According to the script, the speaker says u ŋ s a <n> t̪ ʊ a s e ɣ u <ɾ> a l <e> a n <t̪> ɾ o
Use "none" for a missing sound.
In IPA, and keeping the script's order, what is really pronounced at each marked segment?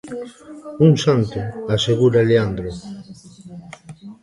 n, ɾ, e, d̪

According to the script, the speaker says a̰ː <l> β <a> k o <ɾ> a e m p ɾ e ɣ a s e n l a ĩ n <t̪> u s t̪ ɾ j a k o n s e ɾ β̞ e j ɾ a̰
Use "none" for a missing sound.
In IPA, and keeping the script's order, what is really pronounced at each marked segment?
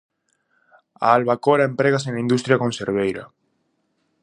l, a, ɾ, d̪

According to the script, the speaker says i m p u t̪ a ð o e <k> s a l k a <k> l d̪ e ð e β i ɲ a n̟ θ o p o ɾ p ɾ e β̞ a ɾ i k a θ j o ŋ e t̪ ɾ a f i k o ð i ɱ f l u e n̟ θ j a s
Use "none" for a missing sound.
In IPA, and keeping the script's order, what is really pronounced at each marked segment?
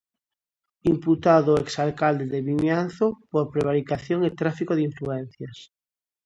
k, none

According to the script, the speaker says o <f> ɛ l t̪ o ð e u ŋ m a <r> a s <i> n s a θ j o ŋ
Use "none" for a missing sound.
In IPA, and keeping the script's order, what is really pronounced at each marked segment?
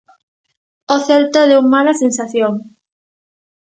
θ, l, e

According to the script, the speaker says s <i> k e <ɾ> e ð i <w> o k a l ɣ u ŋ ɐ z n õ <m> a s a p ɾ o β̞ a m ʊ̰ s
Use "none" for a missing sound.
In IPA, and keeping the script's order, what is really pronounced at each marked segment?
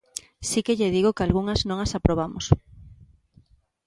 i, ʎ, ɣ, ŋ

